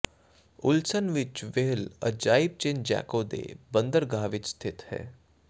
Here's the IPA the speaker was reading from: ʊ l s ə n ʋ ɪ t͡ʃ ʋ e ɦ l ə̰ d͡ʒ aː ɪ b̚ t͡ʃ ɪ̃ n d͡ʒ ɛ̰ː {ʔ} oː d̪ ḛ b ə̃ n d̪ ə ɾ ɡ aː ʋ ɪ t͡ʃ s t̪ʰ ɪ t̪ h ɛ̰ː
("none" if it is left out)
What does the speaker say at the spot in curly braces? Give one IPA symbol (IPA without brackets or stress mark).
k